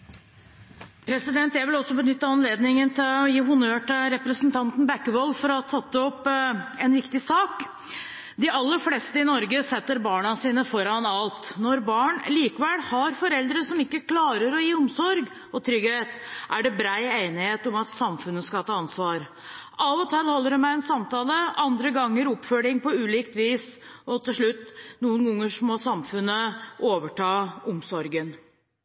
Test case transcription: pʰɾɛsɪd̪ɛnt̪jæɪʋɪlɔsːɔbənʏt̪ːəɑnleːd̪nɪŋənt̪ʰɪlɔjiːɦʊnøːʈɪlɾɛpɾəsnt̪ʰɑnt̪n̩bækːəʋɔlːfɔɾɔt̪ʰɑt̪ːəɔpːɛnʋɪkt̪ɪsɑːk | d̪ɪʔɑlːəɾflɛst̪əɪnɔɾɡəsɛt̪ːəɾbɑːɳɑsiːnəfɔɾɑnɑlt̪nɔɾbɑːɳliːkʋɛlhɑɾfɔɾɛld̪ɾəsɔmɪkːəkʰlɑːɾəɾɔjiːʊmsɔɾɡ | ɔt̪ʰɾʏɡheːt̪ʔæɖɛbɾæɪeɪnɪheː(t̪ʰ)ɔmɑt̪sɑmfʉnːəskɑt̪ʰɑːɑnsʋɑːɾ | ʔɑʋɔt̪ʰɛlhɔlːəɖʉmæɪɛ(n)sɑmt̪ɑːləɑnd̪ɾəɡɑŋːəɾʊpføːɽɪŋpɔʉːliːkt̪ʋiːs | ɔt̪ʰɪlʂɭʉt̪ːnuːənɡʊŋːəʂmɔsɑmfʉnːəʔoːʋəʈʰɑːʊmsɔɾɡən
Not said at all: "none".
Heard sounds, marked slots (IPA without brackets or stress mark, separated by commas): t̪, n